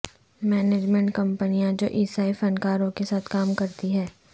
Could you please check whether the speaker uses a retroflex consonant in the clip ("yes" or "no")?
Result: yes